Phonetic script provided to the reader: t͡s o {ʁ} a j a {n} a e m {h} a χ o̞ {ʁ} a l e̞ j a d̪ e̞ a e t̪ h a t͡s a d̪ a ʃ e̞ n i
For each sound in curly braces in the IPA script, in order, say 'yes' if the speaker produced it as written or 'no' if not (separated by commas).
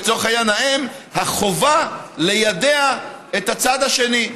no, yes, yes, no